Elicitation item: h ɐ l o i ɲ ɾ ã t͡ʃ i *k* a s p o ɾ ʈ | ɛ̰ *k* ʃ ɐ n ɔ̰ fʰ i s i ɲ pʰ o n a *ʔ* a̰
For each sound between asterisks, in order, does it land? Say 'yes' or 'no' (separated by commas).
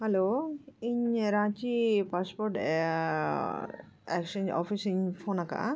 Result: no, yes, no